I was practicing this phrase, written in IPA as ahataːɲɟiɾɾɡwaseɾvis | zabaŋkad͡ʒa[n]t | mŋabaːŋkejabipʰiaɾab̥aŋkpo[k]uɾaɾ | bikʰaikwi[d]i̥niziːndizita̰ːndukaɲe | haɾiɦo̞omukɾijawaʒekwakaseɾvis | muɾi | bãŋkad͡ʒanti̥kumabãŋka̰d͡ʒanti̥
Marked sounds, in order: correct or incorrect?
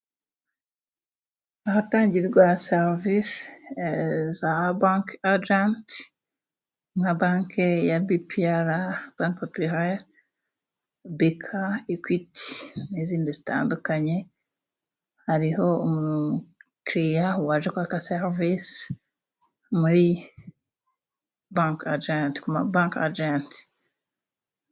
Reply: correct, incorrect: p, incorrect: t

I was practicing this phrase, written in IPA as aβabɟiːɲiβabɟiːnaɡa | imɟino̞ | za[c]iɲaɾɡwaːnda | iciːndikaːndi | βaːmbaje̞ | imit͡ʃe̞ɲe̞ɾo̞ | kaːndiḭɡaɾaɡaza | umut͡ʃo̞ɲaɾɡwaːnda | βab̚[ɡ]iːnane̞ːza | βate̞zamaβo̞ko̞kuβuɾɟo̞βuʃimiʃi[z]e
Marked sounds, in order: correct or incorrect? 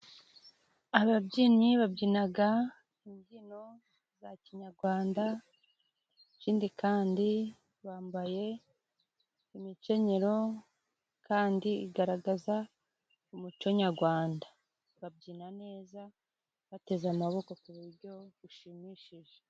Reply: correct, incorrect: ɟ, incorrect: ʒ

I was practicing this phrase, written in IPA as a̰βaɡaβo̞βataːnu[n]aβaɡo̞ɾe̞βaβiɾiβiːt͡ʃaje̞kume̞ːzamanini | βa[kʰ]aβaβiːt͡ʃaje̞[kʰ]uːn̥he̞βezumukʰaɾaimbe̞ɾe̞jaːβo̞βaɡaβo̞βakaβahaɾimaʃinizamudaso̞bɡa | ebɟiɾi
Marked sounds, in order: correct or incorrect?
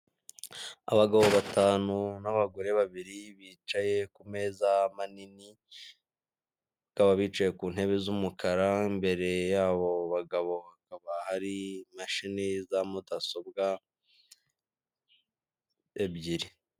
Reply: correct, incorrect: k, incorrect: k

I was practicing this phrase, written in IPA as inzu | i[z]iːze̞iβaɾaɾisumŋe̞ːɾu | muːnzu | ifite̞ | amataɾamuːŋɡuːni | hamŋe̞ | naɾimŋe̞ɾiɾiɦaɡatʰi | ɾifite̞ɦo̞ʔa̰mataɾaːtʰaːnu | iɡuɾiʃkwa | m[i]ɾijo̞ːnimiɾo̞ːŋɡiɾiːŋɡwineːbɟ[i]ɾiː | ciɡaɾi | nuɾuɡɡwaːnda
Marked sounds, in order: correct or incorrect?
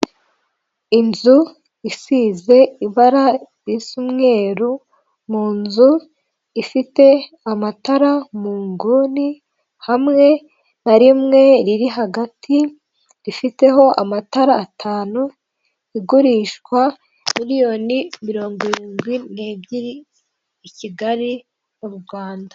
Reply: incorrect: s, correct, correct

